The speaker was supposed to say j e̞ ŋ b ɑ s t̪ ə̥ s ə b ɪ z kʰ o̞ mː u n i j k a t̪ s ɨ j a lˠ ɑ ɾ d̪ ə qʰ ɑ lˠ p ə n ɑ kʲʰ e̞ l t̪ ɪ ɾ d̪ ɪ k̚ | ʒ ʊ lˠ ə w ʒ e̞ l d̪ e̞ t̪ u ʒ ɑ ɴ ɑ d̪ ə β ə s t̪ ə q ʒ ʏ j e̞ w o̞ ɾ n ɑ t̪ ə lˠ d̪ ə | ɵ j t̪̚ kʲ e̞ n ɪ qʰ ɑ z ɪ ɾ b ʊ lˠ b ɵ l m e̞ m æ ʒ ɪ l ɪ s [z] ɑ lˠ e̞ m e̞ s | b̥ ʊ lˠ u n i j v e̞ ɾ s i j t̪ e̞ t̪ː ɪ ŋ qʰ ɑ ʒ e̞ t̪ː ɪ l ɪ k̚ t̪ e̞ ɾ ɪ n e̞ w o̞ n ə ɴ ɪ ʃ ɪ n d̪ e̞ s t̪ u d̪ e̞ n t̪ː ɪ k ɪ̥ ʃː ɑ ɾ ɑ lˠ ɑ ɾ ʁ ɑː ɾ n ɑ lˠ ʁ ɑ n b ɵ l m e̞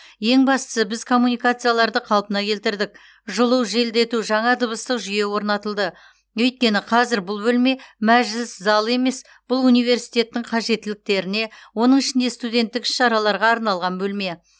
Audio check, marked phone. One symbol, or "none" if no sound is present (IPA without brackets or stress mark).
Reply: z